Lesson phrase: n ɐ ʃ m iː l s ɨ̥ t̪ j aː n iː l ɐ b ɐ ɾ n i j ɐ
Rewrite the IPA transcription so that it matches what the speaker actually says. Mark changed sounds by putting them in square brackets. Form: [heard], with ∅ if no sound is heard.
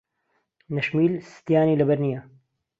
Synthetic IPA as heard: n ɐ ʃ m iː l s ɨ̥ t̪ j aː n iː l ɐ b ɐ ɾ n i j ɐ